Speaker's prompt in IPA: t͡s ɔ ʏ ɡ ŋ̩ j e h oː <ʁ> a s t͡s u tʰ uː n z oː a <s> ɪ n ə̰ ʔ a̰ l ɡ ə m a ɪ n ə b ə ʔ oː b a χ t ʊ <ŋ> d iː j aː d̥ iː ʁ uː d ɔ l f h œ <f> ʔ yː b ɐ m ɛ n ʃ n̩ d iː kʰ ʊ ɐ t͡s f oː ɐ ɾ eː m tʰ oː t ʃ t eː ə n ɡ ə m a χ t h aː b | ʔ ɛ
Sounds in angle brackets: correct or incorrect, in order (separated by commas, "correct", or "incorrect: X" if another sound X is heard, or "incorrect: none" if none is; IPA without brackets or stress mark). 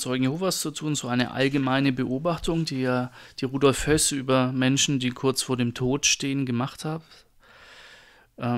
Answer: incorrect: v, incorrect: none, correct, incorrect: s